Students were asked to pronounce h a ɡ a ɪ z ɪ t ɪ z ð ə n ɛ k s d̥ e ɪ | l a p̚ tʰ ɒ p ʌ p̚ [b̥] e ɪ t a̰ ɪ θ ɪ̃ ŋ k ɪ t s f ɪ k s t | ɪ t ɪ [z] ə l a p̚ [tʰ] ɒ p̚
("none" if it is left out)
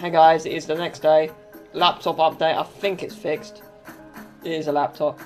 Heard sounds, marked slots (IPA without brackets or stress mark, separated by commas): d̥, z, tʰ